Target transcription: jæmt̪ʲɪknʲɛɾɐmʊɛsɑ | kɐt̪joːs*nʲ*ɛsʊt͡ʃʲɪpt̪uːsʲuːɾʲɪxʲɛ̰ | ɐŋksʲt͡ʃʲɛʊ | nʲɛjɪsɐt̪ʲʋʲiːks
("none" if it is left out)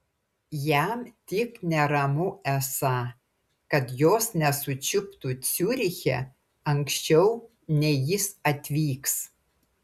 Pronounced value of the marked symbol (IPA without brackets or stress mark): nʲ